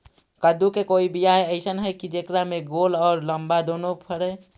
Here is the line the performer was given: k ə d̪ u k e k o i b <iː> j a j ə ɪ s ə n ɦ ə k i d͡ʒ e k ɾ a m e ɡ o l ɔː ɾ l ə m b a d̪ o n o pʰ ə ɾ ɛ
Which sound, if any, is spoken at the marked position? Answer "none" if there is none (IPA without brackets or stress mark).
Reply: i